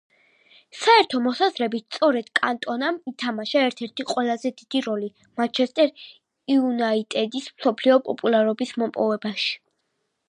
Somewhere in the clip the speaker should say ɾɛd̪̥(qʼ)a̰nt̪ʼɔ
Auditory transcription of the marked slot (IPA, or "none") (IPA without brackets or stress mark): kʼ